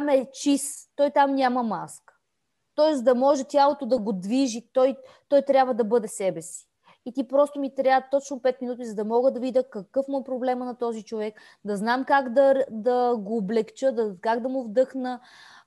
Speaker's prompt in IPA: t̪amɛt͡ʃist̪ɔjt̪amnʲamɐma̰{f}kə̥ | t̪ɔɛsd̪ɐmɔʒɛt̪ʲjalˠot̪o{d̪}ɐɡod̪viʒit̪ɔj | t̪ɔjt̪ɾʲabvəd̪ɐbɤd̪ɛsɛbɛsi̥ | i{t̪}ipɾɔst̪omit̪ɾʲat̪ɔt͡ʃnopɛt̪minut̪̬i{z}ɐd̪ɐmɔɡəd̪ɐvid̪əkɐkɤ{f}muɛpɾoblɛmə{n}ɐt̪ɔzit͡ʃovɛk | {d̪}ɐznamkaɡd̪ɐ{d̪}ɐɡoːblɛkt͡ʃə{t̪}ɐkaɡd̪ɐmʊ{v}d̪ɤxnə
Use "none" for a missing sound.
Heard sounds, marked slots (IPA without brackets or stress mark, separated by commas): s, d̪, t̪, z, f, n, d̪, d̪, d̪, v